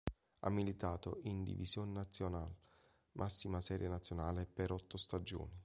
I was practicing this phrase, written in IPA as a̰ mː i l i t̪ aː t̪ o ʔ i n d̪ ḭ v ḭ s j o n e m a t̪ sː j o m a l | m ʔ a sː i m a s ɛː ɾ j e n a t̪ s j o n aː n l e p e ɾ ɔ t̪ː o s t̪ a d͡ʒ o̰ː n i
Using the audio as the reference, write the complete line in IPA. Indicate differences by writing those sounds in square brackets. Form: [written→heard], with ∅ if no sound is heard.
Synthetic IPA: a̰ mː i l i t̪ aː t̪ o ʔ i n d̪ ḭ v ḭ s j o n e [m→n] a t̪ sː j o [m→n] a l | m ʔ a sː i m a s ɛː ɾ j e n a t̪ s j o n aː [n→∅] l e p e ɾ ɔ t̪ː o s t̪ a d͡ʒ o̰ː n i